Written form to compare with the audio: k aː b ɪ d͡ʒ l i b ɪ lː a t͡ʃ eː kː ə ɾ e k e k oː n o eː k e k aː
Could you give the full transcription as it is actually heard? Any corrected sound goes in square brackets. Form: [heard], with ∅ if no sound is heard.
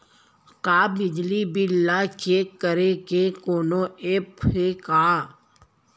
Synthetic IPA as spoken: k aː b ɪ d͡ʒ l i b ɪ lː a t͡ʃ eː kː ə ɾ e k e k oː n o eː [p] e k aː